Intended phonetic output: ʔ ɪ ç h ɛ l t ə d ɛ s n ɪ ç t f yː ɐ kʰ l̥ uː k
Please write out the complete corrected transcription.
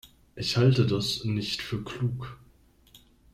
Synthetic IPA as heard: ʔ ɪ ç h a l t ə d a s n ɪ ç t f yː ɐ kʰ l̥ uː k